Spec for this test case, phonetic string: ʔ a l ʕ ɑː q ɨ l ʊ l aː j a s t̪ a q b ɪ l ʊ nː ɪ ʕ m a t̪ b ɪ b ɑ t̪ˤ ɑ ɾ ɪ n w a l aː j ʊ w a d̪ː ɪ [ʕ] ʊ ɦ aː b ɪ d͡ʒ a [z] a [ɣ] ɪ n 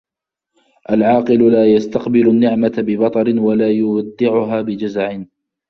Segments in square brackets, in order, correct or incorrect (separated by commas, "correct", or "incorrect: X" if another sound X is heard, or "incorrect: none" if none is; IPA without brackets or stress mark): correct, correct, incorrect: ʕ